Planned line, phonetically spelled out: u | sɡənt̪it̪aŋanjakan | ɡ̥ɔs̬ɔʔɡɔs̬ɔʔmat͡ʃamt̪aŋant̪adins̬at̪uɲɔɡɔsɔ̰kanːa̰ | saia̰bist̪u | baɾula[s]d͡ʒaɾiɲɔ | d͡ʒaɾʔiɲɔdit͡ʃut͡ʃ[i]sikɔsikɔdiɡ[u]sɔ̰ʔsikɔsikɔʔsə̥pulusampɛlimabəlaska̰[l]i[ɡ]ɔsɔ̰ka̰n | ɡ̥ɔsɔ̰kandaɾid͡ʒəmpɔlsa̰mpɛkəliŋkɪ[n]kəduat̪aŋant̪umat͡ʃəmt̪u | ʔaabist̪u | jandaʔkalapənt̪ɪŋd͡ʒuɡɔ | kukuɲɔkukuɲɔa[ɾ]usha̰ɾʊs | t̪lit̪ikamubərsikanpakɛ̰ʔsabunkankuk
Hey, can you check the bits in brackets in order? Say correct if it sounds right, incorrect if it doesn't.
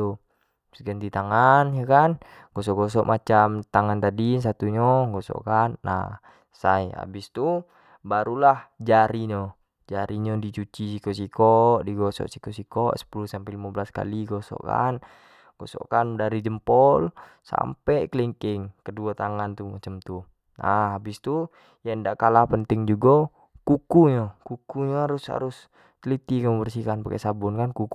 incorrect: h, correct, incorrect: ɔ, correct, correct, incorrect: ŋ, correct

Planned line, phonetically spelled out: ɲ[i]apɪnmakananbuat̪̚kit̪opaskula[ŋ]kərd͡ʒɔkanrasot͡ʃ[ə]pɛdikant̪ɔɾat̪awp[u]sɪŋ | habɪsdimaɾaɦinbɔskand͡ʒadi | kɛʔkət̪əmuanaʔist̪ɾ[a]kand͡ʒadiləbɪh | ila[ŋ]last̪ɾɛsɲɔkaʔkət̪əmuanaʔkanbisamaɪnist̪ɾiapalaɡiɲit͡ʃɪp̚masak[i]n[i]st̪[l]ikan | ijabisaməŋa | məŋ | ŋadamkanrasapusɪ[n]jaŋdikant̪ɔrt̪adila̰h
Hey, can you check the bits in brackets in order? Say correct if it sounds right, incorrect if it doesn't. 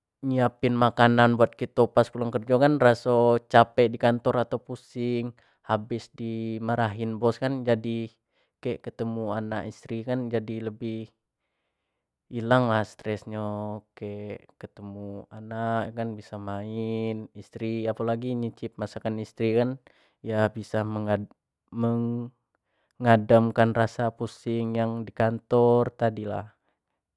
correct, correct, incorrect: a, correct, incorrect: i, correct, incorrect: a, correct, incorrect: ɾ, incorrect: ŋ

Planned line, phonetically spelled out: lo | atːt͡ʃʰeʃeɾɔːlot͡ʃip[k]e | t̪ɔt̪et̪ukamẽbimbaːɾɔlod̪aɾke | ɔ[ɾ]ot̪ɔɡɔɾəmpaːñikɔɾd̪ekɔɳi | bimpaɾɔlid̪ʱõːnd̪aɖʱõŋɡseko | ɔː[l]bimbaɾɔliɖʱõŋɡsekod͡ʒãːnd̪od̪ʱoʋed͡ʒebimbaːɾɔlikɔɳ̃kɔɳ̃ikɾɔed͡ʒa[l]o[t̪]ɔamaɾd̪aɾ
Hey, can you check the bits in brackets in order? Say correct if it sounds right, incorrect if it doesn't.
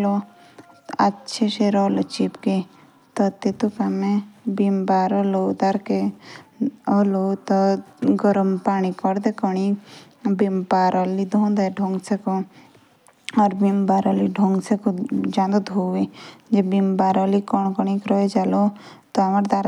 correct, incorrect: l, incorrect: ɾ, correct, correct

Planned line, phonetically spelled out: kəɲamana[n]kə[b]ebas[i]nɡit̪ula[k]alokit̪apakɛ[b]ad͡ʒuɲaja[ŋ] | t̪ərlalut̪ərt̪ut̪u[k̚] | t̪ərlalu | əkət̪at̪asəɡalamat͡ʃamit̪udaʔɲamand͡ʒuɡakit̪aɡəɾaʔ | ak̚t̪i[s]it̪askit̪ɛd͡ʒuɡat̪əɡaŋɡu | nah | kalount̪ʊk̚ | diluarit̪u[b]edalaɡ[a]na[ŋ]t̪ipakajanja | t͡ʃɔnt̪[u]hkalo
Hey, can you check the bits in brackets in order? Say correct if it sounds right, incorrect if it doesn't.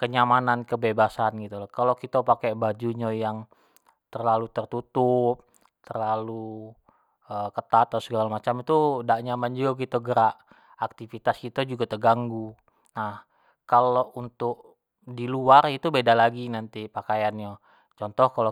correct, correct, incorrect: a, correct, correct, correct, incorrect: p̚, incorrect: f, correct, incorrect: i, incorrect: n, incorrect: ɔ

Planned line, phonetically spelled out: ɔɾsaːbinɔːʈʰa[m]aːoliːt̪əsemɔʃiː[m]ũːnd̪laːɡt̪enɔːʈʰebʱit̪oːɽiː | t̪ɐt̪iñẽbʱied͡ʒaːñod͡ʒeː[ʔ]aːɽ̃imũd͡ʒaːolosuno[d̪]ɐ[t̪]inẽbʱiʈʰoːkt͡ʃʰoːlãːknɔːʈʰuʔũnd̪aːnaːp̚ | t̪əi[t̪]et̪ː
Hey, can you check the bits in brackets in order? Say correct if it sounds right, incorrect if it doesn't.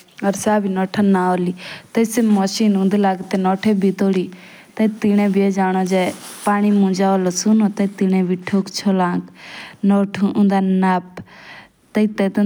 incorrect: n, incorrect: n, incorrect: p, incorrect: t̪, correct, correct

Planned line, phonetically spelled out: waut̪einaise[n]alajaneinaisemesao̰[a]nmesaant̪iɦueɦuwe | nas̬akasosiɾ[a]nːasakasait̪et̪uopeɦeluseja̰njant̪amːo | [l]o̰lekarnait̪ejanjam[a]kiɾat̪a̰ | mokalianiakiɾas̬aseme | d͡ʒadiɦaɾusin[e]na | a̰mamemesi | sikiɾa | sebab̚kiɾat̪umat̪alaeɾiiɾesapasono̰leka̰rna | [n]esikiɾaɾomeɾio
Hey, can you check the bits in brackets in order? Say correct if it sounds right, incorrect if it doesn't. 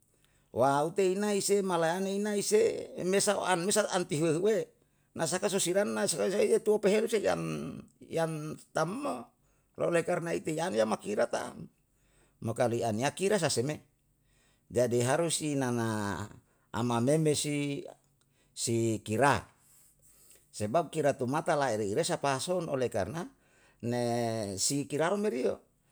incorrect: m, correct, correct, correct, correct, incorrect: a, correct

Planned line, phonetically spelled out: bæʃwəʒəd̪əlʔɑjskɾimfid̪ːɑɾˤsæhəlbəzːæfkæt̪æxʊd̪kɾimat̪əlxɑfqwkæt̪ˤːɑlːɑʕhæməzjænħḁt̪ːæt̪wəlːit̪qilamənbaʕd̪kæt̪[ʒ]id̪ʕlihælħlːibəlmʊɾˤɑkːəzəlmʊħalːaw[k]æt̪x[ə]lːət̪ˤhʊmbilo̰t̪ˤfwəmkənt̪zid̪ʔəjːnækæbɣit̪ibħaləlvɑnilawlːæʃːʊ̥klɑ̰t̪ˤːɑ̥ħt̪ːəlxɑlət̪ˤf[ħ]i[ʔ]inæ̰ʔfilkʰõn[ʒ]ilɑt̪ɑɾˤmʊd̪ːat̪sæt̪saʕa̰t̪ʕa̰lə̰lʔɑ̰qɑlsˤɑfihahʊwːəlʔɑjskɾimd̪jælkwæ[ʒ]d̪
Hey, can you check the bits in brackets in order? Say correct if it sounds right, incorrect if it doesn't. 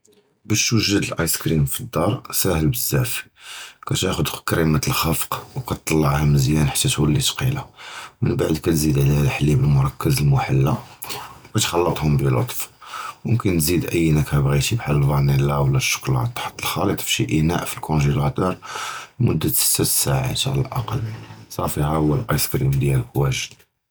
incorrect: z, correct, incorrect: ɑ, incorrect: ʃ, correct, correct, correct

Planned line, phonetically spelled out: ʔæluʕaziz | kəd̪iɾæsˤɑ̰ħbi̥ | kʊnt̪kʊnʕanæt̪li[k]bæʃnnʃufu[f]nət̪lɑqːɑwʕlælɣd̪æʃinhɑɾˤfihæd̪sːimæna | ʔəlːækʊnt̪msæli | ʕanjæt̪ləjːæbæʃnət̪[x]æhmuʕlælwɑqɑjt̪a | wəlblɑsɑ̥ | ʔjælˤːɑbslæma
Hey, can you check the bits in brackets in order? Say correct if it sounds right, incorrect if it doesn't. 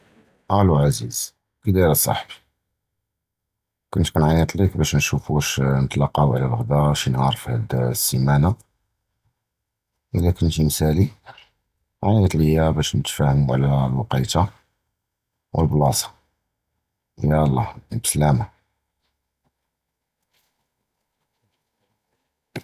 correct, incorrect: ʃ, incorrect: f

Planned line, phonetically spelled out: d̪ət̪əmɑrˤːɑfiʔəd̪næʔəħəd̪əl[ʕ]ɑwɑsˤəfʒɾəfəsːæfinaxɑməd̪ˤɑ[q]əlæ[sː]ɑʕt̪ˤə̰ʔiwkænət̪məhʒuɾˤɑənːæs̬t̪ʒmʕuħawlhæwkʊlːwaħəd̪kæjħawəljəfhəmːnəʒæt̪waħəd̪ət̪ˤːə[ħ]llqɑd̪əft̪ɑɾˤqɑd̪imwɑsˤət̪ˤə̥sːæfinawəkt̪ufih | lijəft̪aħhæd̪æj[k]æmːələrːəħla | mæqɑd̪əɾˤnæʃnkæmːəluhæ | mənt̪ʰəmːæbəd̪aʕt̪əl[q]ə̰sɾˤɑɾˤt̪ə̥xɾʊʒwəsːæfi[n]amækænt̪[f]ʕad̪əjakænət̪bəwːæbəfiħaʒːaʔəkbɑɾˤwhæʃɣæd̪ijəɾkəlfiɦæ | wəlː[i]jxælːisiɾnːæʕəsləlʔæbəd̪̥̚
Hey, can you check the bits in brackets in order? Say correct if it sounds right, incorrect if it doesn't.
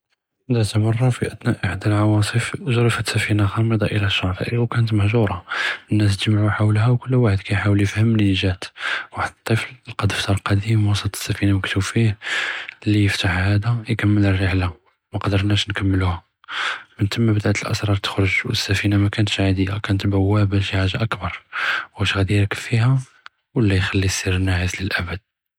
correct, incorrect: ʔ, incorrect: ʃː, incorrect: f, correct, incorrect: ʔ, correct, incorrect: ʃ, incorrect: æ

